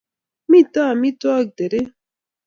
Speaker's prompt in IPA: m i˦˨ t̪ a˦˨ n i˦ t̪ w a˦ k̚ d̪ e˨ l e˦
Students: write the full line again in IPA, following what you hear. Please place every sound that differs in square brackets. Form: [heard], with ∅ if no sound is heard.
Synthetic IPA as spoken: m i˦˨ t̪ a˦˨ [m] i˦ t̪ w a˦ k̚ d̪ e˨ [ɾ] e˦

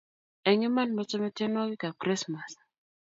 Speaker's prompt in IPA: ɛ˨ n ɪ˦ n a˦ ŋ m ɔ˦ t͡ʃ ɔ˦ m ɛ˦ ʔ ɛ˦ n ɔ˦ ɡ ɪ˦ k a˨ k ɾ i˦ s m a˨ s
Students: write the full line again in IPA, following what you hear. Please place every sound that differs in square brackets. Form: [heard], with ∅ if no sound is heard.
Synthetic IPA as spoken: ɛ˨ [ŋ] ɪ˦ [m] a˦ [n] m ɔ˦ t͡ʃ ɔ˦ m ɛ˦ [t] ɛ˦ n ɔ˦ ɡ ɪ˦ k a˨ k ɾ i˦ s m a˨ s

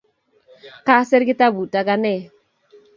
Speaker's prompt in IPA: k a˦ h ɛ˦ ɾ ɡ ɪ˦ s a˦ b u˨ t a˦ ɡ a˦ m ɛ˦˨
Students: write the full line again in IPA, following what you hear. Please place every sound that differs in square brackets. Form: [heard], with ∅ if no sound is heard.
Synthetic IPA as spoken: k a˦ [s] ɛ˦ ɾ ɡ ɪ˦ [t] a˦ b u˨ t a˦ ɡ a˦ [n] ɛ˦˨

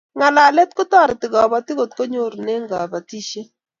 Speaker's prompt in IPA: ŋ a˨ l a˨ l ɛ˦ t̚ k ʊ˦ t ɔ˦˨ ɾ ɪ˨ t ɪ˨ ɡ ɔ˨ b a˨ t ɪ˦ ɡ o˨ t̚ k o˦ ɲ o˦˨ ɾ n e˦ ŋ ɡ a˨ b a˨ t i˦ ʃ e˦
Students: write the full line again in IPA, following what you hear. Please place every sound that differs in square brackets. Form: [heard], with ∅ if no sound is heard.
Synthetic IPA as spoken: ŋ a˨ l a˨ l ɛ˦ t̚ k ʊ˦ t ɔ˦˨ ɾ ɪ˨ t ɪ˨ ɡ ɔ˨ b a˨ t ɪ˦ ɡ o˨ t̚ k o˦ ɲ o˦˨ ɾ n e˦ ŋ ɡ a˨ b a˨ t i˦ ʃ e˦

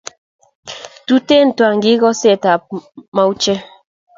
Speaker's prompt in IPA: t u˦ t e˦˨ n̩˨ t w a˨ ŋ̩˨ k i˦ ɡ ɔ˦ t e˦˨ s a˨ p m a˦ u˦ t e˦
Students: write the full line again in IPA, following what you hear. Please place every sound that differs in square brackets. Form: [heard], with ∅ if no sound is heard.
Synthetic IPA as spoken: t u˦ t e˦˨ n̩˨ t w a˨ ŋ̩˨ [ɡ] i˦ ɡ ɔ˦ [s] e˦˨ [t] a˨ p m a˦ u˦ [t͡ʃ] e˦

